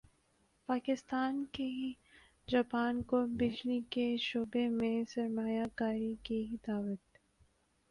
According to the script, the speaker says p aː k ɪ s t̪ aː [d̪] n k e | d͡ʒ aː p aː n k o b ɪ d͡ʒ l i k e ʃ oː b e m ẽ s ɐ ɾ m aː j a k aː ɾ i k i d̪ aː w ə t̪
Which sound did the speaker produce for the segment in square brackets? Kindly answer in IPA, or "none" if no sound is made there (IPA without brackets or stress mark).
none